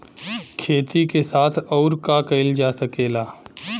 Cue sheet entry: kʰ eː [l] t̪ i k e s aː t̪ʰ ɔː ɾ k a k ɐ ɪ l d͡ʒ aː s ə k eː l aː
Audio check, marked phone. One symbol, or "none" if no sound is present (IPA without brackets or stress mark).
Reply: none